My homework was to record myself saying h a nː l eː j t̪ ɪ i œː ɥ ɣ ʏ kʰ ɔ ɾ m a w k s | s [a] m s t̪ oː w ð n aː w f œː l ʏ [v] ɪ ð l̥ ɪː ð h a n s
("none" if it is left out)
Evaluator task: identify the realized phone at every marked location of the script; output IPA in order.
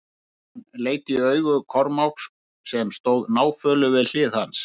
ɛ, v

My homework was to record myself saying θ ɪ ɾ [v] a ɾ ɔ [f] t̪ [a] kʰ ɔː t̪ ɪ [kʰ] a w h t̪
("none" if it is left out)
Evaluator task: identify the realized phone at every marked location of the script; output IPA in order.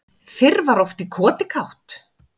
v, f, i, kʰ

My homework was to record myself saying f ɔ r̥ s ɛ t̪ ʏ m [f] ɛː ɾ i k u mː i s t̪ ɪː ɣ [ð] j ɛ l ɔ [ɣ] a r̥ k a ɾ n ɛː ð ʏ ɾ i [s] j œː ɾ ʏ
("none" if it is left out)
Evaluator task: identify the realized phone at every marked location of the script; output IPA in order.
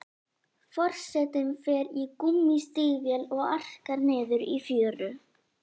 f, v, ɣ, f

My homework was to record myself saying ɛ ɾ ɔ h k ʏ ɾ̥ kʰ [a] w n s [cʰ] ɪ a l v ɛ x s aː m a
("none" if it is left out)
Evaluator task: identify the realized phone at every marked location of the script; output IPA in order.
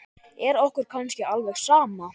a, c

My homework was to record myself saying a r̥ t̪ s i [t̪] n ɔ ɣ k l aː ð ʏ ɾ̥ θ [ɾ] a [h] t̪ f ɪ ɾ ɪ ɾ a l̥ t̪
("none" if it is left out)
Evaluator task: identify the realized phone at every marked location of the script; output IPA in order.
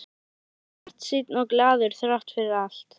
t̪, ɾ, h

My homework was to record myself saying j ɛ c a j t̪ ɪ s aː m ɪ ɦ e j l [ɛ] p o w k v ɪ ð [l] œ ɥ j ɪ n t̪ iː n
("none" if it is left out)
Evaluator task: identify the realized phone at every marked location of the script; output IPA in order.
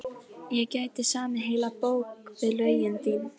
a, l

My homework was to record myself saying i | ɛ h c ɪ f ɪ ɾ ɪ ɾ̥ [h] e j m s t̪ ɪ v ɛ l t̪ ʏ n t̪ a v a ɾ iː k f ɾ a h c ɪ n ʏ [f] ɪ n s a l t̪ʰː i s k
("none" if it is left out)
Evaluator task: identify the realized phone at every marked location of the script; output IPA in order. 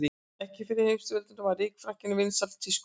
h, v

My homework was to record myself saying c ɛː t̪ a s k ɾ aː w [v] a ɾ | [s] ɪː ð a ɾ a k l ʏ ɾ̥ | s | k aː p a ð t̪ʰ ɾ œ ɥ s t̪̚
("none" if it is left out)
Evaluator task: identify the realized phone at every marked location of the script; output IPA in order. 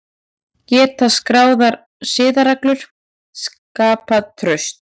ð, s

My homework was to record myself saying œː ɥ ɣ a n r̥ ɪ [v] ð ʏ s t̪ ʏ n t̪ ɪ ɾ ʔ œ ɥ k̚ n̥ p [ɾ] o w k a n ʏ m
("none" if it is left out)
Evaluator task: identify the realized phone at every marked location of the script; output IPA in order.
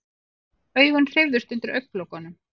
v, l

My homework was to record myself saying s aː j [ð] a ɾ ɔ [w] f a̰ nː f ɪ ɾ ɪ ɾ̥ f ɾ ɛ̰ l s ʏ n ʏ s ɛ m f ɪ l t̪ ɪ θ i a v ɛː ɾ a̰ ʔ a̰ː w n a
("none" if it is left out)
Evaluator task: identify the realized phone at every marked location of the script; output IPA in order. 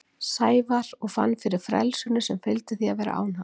v, ɣ

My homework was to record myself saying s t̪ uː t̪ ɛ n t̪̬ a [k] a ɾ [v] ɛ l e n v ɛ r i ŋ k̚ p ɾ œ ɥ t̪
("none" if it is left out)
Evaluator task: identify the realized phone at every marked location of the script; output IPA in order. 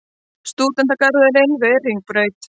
k, ð

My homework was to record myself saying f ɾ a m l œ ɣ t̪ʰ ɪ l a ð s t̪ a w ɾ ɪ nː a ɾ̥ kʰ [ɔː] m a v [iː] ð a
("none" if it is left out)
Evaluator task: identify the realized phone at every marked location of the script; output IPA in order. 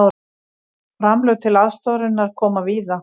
ɔː, iː

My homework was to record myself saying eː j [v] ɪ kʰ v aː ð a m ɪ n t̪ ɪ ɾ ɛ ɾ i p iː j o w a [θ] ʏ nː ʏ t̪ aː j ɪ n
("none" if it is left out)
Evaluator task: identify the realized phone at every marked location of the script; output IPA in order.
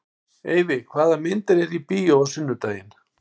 v, s

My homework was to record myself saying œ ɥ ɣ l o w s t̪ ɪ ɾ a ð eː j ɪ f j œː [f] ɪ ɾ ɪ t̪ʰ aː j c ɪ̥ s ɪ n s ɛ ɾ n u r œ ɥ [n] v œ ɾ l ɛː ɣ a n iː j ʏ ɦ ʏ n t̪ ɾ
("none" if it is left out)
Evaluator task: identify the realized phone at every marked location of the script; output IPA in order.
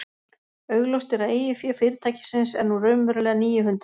f, m

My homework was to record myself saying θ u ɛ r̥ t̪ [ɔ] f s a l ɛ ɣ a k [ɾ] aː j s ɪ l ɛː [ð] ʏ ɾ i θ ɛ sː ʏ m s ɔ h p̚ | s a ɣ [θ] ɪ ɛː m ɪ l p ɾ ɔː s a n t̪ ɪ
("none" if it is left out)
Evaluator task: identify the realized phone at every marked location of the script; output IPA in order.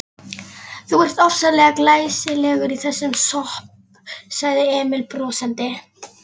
ɔ, l, ɣ, ð

